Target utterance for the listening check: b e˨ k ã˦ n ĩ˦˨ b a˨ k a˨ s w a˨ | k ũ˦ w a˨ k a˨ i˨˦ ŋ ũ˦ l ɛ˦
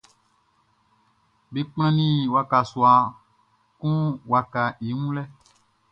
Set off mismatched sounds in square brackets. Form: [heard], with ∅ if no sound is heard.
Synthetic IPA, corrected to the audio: b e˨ [k͡p] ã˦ n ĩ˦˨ [w] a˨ k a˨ s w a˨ | k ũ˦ w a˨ k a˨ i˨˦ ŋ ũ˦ l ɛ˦